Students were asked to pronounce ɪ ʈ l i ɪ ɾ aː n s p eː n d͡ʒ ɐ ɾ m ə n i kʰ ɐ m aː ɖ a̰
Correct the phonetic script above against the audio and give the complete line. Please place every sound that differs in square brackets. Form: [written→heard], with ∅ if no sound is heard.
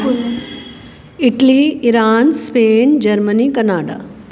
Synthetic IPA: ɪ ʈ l i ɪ ɾ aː n s p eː n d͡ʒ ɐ ɾ m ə n i [kʰ→k] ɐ [m→n] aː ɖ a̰